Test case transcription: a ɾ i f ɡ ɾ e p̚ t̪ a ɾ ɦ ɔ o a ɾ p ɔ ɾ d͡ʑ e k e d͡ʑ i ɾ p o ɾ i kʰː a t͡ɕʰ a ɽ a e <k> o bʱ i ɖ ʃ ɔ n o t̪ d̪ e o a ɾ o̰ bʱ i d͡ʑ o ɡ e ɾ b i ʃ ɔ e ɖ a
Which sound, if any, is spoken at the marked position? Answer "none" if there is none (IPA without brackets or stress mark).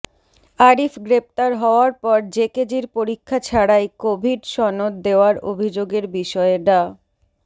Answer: k